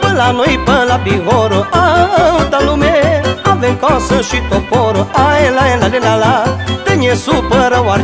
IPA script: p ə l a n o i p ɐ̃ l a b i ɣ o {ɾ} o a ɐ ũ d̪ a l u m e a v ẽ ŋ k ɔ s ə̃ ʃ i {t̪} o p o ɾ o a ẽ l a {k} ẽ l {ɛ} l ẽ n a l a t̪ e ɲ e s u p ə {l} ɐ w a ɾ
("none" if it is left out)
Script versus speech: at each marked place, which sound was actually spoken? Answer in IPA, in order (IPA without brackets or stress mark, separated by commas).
ɾ, t̪, none, a, ɾ